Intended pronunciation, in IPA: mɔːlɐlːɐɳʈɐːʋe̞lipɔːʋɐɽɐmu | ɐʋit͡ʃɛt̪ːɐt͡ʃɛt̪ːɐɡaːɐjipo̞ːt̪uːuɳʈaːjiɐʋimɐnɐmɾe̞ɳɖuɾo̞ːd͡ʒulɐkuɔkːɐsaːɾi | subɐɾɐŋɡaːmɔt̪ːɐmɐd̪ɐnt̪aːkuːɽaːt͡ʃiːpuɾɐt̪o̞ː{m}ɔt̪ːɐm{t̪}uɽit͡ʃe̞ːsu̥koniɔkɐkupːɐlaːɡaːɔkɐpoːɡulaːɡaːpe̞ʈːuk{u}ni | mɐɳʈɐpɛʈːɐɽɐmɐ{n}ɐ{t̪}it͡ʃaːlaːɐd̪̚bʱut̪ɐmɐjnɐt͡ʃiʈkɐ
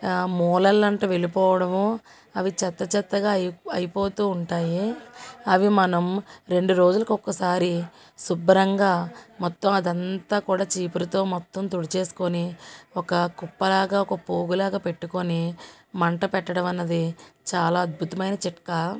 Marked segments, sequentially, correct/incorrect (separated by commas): correct, correct, incorrect, incorrect, incorrect